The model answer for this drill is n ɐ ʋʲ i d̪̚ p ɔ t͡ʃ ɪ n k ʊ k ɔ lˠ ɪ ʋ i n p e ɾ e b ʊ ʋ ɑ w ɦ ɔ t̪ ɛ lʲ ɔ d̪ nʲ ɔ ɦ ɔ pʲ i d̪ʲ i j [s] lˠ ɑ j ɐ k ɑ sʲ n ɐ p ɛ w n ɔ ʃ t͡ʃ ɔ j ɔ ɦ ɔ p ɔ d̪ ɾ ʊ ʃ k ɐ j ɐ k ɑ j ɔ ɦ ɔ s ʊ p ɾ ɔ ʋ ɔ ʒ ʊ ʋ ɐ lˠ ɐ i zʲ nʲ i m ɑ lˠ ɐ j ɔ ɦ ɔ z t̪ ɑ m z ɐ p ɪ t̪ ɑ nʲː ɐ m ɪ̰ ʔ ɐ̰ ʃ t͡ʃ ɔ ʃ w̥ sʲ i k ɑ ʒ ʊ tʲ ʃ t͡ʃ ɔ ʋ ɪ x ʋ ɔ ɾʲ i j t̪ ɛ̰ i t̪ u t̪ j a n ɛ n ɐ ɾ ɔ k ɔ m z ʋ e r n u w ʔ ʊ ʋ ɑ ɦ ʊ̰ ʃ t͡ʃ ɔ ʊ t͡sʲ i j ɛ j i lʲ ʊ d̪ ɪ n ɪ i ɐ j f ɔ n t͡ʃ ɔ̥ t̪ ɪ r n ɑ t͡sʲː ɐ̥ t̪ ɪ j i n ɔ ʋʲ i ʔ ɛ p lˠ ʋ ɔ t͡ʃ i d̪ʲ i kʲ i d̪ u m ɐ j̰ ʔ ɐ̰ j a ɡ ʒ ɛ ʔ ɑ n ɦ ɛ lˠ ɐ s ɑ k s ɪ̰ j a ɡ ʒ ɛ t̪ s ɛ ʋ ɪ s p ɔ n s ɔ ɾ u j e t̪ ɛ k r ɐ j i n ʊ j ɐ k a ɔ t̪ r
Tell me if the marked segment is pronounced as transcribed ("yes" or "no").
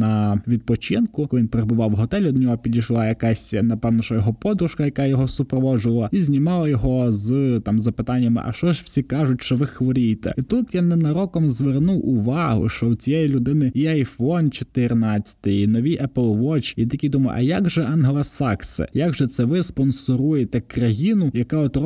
no